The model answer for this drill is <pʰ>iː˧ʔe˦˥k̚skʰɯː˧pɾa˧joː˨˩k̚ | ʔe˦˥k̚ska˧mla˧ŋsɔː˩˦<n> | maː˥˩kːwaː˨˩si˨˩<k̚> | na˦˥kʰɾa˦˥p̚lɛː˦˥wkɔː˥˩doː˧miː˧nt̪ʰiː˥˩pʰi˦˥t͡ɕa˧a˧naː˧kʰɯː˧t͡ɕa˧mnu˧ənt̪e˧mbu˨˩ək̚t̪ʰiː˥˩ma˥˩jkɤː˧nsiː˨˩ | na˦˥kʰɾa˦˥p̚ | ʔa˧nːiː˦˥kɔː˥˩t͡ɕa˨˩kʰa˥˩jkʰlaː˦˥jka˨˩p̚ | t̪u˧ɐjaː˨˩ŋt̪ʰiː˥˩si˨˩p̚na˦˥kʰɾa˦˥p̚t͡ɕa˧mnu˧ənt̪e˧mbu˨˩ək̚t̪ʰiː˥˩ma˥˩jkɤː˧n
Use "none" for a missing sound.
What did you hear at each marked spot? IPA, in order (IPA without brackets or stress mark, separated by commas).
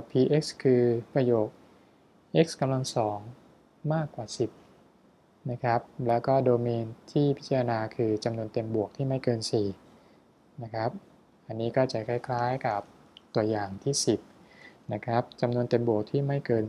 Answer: pʰ, ŋ, p̚